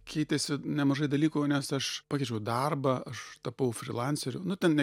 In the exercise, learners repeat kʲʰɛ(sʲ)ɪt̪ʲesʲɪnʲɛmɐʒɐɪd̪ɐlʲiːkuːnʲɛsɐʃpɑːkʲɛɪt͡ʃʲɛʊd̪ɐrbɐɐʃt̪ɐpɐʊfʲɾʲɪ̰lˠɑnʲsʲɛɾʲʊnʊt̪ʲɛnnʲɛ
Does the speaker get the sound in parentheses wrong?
yes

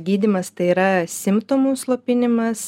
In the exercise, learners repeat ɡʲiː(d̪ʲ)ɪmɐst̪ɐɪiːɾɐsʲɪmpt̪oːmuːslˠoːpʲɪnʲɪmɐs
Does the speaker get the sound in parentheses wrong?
no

